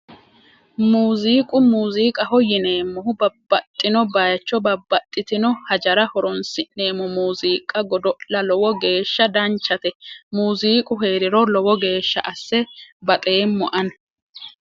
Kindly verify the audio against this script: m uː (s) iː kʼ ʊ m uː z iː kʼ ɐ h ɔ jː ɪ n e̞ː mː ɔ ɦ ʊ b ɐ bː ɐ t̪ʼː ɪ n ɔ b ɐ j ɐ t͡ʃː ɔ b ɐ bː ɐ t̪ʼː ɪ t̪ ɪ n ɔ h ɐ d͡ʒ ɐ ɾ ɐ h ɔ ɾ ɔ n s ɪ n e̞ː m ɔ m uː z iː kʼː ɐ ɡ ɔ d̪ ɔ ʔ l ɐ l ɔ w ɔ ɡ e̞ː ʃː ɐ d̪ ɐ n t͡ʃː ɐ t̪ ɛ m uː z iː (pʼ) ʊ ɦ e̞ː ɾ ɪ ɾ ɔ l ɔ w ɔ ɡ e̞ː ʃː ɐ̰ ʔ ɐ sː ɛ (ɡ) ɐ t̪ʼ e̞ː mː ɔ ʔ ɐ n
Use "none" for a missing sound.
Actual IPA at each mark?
z, kʼ, b

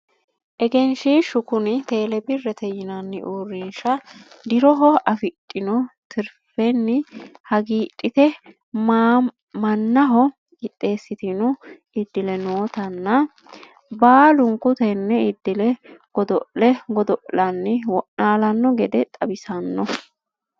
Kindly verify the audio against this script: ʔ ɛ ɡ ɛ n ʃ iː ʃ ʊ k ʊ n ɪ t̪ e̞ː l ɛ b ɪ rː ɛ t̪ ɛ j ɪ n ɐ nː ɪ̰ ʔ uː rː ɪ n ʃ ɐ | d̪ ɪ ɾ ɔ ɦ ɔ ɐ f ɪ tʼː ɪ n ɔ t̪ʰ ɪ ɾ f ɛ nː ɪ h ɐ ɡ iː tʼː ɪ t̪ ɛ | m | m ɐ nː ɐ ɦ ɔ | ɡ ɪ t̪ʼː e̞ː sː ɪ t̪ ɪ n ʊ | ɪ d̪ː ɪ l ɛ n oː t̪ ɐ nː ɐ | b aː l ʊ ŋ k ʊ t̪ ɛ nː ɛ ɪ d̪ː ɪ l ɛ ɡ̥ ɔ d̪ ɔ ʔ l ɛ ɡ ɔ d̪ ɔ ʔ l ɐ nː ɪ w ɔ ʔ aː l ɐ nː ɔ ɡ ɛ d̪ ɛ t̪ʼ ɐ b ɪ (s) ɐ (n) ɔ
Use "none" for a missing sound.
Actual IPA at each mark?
s, nː

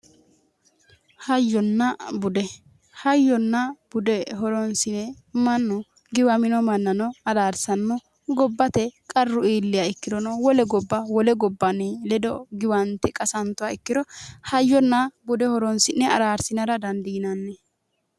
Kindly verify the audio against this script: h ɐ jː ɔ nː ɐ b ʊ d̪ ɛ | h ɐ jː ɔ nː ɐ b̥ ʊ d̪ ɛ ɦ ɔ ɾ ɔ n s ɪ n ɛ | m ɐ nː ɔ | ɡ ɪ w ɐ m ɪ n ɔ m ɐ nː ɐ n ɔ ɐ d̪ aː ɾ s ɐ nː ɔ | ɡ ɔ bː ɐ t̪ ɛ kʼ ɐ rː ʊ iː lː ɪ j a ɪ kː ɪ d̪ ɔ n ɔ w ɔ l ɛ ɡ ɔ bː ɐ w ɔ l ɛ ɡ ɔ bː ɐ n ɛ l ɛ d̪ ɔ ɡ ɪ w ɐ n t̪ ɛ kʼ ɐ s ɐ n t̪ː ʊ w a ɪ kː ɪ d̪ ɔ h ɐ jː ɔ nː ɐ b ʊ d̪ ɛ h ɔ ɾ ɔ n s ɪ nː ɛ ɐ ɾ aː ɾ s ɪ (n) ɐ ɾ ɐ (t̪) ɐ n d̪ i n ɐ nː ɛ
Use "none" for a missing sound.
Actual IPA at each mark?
n, d̪

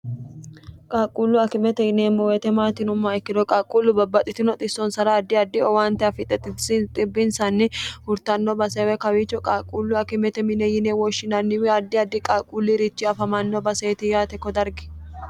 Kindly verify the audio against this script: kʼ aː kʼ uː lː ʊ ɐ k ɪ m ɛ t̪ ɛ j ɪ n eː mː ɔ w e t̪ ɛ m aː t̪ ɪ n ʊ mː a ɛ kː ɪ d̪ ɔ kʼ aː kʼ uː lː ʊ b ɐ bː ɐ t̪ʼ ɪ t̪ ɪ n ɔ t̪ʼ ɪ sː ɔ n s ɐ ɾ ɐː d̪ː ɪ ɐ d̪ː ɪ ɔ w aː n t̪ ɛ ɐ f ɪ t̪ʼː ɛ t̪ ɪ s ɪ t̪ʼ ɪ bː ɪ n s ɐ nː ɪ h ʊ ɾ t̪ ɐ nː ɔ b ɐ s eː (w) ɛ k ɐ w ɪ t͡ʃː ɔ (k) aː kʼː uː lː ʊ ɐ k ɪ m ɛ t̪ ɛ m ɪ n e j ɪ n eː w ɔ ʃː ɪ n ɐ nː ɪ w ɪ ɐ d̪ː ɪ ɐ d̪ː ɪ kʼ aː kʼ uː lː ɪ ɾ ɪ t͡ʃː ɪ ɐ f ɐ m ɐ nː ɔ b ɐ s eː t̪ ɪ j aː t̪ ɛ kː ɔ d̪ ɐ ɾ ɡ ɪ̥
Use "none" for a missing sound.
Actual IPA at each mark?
w, kʼ

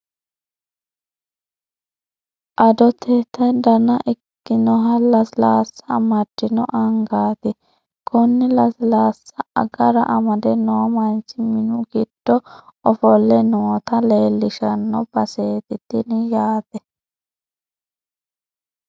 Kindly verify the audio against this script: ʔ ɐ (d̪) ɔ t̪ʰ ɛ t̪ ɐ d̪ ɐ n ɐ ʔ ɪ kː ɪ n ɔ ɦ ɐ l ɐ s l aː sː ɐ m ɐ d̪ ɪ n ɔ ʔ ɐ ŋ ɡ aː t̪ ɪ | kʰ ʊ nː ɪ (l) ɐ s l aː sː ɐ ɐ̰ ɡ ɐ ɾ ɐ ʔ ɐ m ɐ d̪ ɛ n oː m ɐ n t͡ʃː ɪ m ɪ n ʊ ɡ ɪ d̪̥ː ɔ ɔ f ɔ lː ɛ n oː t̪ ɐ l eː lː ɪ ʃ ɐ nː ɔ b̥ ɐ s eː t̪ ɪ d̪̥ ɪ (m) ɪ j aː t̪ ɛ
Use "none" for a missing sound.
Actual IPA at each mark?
d̪, l, n

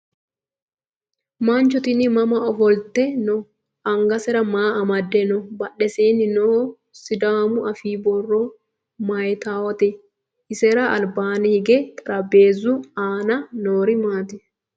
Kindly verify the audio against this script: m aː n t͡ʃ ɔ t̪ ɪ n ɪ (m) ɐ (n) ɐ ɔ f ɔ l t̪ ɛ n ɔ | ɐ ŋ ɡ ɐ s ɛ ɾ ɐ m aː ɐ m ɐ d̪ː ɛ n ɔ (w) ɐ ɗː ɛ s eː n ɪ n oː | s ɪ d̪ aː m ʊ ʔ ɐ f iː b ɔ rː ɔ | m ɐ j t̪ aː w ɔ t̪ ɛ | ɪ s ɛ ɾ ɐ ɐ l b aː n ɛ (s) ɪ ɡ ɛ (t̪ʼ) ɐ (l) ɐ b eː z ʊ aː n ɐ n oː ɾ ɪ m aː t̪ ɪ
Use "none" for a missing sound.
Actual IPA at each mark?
m, m, b, h, t̪ʼ, ɾ

